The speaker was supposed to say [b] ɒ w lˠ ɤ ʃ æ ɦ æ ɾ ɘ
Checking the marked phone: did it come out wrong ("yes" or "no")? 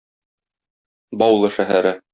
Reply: no